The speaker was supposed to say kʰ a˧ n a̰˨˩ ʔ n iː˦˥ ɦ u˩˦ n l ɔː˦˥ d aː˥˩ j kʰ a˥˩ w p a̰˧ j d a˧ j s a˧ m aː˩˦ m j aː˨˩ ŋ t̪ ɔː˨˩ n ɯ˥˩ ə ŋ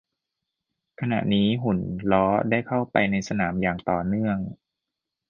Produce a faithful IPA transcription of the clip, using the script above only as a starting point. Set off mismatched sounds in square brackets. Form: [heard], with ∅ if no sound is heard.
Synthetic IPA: kʰ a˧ n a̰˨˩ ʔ n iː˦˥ ɦ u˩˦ n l ɔː˦˥ d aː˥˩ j kʰ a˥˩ w p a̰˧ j [n] a˧ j s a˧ [n] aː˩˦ m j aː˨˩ ŋ t̪ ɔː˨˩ n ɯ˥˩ ə ŋ